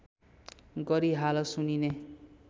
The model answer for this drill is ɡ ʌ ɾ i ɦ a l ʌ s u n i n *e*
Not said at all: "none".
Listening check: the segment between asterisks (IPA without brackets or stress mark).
e